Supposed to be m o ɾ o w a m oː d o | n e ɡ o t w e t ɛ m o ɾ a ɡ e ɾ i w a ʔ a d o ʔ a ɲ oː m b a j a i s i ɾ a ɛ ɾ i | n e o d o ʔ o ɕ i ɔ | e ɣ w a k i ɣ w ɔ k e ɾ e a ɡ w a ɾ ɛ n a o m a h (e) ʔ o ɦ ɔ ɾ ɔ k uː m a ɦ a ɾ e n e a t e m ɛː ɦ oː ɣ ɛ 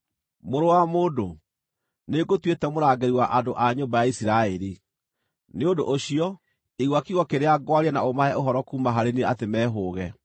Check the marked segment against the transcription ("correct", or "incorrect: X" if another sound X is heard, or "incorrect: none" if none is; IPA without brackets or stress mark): incorrect: ɛ